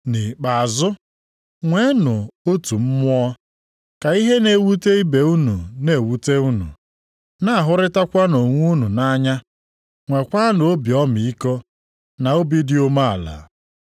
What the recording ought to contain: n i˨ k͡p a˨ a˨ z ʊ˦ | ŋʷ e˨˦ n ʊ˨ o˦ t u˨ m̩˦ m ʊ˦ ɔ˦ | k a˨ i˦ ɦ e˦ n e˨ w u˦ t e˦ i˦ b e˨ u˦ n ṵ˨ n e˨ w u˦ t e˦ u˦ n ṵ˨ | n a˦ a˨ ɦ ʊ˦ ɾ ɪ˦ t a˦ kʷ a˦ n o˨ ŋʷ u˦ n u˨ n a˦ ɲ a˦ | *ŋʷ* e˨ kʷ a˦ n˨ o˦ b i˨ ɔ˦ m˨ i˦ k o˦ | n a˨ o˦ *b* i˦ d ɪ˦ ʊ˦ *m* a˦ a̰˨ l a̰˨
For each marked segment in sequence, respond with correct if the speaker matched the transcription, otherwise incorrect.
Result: correct, correct, correct

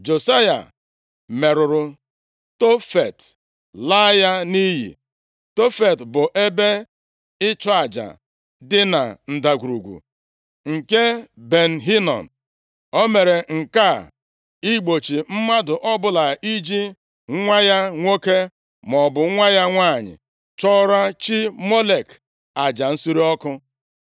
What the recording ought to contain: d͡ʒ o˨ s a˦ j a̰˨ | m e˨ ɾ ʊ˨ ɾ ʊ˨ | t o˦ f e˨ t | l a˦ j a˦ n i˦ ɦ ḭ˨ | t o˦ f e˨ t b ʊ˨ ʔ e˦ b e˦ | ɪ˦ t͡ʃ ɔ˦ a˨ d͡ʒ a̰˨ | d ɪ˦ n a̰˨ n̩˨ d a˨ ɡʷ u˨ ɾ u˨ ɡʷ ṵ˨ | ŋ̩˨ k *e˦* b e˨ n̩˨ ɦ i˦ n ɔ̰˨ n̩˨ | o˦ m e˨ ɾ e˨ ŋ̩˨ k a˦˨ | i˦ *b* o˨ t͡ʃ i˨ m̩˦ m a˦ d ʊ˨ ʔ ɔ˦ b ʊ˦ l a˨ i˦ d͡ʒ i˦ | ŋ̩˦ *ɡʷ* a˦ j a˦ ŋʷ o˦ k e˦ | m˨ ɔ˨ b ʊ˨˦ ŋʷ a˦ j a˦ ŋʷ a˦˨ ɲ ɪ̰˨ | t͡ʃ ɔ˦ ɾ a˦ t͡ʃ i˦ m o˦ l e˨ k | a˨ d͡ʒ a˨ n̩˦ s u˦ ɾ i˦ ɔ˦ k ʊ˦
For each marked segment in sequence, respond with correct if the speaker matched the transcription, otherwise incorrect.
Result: correct, incorrect, incorrect

